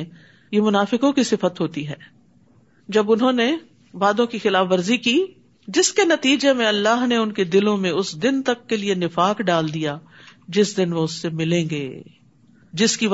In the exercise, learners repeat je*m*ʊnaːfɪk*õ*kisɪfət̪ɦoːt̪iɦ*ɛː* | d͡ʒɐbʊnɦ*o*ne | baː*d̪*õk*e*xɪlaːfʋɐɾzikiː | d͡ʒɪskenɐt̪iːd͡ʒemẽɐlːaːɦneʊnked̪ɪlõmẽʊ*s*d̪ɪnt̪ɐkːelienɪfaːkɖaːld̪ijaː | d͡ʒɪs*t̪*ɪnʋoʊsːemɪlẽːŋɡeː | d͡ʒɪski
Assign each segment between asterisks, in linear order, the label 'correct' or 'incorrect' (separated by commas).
correct, correct, correct, incorrect, correct, incorrect, correct, incorrect